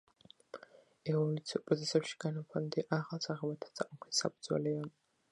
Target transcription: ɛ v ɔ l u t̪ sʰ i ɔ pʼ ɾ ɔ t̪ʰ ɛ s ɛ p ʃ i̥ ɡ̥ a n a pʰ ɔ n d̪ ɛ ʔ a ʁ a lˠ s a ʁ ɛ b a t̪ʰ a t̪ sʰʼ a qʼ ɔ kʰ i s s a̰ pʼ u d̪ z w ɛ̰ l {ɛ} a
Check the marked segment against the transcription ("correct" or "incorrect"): correct